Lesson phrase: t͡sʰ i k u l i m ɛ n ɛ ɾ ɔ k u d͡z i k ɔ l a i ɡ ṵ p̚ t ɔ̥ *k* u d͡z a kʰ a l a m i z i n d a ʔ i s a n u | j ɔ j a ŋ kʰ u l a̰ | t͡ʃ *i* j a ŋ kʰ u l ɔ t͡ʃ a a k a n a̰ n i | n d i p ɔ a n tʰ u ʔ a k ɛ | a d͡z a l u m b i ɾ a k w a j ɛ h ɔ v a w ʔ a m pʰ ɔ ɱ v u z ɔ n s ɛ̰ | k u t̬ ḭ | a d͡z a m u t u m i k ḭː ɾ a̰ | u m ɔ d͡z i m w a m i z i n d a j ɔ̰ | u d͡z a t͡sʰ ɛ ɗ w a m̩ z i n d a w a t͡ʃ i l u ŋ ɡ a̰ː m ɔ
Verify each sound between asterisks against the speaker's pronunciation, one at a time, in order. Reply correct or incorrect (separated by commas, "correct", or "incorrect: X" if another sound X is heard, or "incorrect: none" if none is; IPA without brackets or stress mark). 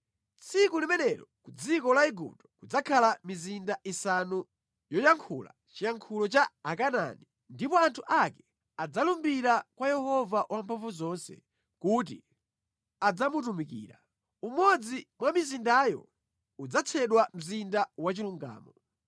correct, correct